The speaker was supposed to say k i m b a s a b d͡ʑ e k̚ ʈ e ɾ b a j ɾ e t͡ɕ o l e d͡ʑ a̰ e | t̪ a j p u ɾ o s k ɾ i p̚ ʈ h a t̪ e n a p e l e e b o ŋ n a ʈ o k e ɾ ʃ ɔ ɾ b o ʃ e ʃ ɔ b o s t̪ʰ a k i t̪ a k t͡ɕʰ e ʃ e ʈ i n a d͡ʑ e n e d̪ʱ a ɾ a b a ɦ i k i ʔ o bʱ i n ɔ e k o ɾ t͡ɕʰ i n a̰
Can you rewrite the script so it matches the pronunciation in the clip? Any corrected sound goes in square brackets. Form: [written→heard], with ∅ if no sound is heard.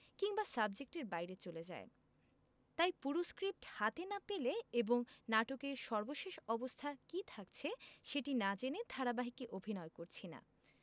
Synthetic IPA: k i [m→ŋ] b a s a b d͡ʑ e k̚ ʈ e ɾ b a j ɾ e t͡ɕ o l e d͡ʑ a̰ e | t̪ a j p u ɾ o s k ɾ i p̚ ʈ h a t̪ e n a p e l e e b o ŋ n a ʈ o k e ɾ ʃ ɔ ɾ b o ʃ e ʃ ɔ b o s t̪ʰ a k i [t̪→t̪ʰ] a k t͡ɕʰ e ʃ e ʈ i n a d͡ʑ e n e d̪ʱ a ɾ a b a ɦ i k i ʔ o bʱ i n ɔ e k o ɾ t͡ɕʰ i n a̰

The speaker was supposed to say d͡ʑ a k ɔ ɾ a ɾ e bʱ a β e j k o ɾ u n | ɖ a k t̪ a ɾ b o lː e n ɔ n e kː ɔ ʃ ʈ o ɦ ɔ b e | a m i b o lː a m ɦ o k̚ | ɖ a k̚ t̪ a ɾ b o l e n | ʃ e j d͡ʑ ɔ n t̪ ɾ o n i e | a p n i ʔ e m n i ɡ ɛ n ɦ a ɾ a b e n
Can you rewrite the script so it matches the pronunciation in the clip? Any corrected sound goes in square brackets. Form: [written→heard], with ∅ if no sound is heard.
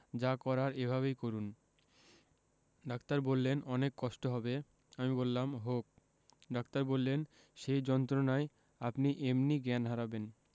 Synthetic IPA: d͡ʑ a k ɔ ɾ a ɾ e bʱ a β e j k o ɾ u n | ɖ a k t̪ a ɾ b o lː e n ɔ n e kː ɔ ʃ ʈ o ɦ ɔ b e | a m i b o lː a m ɦ o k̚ | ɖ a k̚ t̪ a ɾ b o [l→lː] e n | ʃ e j d͡ʑ ɔ n t̪ ɾ o n [i→a] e | a p n i ʔ e m n i ɡ ɛ n ɦ a ɾ a b e n

